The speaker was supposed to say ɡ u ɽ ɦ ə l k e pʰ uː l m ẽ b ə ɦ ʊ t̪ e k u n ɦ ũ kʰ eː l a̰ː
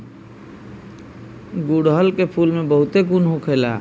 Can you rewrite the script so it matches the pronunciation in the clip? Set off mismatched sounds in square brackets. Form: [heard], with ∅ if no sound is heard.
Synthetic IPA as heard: ɡ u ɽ ɦ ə l k e pʰ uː l m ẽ b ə ɦ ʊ t̪ e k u n ɦ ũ kʰ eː l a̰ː